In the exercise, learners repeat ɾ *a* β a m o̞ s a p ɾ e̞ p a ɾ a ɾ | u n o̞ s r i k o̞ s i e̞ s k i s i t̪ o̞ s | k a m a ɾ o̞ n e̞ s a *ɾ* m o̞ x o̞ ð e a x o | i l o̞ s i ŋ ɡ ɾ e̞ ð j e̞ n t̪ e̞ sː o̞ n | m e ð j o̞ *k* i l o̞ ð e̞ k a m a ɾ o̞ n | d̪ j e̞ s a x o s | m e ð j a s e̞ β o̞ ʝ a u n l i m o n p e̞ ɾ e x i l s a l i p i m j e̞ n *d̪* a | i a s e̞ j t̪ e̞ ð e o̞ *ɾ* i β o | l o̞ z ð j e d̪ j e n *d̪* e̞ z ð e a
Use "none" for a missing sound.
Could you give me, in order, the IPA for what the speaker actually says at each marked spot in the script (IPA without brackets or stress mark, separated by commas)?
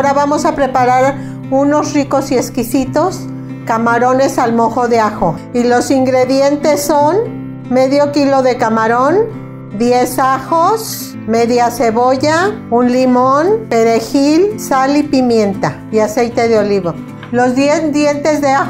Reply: a, l, k, t̪, l, t̪